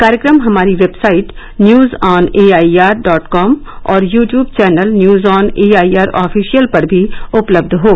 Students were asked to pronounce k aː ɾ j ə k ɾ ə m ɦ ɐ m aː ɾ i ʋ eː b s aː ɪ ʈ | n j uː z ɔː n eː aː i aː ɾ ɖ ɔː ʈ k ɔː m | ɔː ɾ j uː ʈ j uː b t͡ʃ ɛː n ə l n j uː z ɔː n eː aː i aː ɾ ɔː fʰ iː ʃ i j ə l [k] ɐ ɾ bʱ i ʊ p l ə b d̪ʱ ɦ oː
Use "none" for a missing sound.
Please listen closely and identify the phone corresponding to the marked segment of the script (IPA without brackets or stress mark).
p